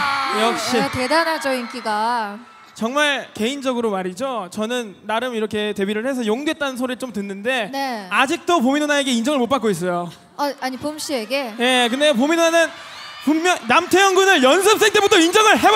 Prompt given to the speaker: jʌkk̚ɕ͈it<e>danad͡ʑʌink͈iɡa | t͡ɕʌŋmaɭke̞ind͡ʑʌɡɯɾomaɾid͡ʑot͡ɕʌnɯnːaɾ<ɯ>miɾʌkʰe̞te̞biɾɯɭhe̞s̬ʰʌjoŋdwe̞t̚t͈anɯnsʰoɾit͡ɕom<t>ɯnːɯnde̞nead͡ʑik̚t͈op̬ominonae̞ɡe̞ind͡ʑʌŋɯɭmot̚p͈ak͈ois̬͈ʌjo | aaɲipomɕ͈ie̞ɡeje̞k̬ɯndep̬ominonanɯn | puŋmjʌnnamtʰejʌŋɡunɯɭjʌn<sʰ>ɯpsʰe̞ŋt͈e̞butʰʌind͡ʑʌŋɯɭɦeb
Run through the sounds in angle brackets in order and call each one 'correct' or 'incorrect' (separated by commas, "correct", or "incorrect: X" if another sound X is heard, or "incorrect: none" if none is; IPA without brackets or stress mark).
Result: correct, correct, correct, correct